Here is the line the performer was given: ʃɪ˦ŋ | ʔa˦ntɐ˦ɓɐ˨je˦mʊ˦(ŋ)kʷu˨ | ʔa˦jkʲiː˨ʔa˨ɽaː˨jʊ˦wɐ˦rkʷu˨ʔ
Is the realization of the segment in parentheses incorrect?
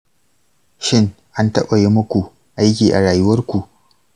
yes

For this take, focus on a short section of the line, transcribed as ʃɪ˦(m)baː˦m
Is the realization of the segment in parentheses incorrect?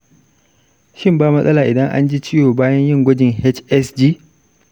no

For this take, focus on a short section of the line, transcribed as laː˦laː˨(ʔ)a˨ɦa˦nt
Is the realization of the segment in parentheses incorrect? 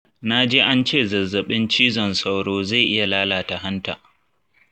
yes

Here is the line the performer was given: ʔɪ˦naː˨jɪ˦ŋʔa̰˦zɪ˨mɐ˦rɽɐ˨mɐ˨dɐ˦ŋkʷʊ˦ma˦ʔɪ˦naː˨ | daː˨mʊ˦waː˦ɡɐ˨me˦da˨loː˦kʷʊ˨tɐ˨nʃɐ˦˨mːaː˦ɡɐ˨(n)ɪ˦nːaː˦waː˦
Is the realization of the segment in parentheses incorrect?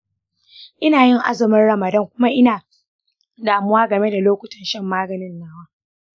no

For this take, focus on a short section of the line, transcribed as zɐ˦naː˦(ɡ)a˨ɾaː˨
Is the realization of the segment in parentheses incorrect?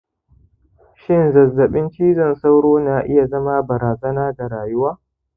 yes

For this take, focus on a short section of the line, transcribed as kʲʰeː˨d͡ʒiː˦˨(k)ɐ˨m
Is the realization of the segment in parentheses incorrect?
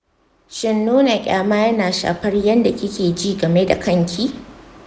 yes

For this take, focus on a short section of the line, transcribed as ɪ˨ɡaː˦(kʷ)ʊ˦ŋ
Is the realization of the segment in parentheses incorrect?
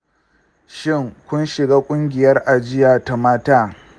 yes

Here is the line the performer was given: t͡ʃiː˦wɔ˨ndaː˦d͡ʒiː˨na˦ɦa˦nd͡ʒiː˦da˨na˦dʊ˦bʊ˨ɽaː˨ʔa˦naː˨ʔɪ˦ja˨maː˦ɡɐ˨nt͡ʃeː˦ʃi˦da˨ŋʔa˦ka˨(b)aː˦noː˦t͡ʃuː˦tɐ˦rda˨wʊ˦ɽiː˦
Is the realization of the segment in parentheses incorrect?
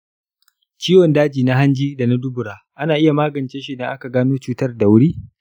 yes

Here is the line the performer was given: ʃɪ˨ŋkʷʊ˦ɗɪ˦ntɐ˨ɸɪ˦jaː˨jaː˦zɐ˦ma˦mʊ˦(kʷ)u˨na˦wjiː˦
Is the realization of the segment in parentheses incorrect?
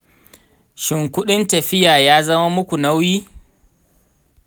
no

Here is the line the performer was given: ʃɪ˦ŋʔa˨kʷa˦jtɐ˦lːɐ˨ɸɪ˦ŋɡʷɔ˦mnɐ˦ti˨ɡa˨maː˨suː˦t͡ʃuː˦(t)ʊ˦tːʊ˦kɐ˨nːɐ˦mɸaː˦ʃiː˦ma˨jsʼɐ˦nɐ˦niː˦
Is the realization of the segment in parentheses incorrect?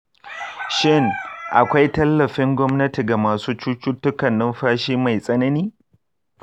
yes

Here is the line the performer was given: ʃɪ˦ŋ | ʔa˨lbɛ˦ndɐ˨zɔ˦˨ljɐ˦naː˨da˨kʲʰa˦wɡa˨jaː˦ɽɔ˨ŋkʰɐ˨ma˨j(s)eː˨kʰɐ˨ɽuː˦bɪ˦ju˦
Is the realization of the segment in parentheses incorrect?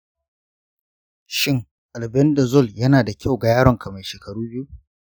yes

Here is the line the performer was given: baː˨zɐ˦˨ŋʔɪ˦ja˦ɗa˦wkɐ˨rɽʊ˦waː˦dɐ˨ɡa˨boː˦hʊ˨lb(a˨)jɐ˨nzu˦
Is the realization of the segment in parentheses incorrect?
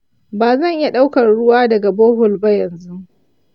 yes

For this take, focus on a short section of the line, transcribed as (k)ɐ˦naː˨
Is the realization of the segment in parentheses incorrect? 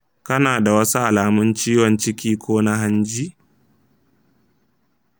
no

